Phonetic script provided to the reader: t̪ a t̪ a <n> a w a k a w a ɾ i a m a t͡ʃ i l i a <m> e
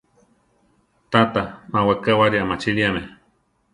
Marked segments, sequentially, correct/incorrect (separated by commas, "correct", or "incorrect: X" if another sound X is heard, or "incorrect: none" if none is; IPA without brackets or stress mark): incorrect: m, correct